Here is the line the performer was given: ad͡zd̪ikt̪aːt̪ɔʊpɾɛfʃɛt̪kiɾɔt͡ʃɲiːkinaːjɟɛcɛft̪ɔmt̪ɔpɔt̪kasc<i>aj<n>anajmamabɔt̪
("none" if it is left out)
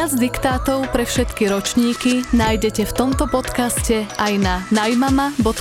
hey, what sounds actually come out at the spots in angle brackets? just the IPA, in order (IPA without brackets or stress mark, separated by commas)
ɛ, n